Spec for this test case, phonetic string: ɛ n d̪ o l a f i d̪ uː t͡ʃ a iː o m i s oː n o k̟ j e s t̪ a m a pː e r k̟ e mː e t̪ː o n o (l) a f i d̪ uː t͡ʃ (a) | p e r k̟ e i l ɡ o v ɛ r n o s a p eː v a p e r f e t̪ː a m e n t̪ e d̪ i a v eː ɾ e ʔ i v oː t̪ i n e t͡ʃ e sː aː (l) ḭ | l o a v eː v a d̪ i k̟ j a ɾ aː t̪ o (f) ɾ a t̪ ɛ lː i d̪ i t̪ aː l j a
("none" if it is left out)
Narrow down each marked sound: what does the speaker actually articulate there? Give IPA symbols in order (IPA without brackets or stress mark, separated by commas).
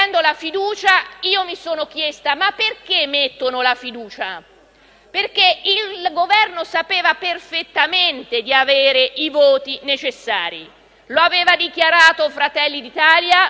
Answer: l, a, ɾ, f